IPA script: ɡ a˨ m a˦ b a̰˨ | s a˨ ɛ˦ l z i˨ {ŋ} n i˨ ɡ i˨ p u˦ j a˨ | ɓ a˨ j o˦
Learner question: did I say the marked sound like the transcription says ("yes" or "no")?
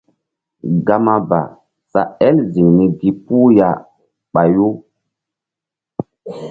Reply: yes